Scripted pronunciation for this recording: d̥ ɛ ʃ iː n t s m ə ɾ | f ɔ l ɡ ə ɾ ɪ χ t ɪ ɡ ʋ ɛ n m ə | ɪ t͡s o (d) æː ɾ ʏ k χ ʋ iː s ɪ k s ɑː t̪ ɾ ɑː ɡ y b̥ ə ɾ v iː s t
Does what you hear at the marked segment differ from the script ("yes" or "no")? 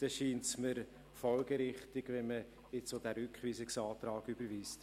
no